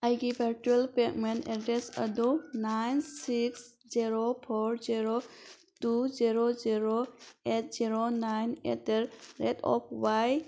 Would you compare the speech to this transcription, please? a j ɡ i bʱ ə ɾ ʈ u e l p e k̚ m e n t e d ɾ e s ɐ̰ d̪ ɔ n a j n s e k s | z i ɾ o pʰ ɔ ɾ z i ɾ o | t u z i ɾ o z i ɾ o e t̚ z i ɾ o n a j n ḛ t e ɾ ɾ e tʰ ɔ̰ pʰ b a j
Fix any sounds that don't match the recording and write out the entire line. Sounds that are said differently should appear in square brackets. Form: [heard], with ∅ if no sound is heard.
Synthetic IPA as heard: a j ɡ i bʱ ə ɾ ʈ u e l p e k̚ m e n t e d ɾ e s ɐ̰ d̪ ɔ n a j n s [i] k s | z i ɾ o pʰ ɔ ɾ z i ɾ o | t u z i ɾ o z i ɾ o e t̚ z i ɾ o n a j n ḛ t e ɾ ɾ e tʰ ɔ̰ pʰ [w] a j